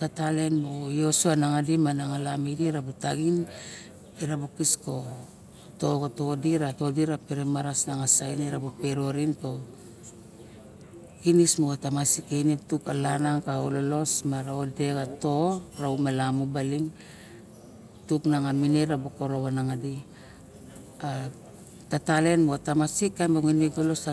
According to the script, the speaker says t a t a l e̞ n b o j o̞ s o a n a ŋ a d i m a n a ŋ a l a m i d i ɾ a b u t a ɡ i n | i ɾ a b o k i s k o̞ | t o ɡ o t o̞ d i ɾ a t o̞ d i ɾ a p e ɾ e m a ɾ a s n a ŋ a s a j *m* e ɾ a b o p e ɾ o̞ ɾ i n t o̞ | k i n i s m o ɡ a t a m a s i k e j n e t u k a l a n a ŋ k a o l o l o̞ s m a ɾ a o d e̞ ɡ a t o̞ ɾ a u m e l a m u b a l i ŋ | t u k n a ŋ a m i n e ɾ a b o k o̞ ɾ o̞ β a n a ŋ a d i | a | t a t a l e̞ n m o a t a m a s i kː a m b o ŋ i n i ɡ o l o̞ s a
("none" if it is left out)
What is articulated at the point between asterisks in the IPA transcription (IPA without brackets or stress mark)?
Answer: n